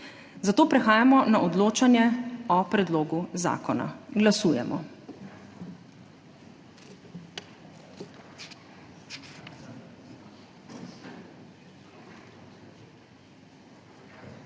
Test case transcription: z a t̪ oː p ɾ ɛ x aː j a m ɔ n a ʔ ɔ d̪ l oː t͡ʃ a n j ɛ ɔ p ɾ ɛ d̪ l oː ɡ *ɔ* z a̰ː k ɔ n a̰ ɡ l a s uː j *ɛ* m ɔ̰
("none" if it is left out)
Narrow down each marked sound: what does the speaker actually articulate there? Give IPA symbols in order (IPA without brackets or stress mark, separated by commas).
u, ɛ